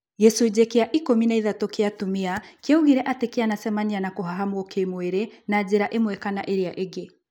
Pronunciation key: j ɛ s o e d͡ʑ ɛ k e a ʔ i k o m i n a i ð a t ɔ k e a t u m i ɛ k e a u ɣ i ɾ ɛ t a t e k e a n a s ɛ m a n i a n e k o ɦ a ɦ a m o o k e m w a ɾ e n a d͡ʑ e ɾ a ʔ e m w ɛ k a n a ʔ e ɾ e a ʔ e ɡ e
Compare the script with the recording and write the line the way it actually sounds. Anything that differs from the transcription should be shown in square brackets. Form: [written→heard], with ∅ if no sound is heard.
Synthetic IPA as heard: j ɛ s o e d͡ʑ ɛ k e a ʔ i k o m i n a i ð a t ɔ k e a t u m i [ɛ→a] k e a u ɣ i ɾ ɛ [t→ʔ] a t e k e a n a s ɛ m a n i a n [e→a] k o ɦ a ɦ a m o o k e m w [a→e] ɾ e n a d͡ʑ e ɾ a ʔ e m w ɛ k a n a ʔ e ɾ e a ʔ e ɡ e